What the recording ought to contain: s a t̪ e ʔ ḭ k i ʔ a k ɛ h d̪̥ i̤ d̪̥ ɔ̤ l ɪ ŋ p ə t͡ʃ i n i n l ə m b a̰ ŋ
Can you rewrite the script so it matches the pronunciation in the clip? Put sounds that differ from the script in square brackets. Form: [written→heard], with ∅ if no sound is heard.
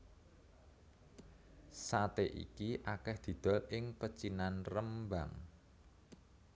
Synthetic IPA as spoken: s a t̪ e ʔ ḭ k i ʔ a k ɛ h d̪̥ i̤ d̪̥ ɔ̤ l ɪ ŋ p ə t͡ʃ i n [i→a] n [l→r] ə m b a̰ ŋ